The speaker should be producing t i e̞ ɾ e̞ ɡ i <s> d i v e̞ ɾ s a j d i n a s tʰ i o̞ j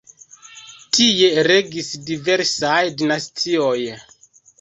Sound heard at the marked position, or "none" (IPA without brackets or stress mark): s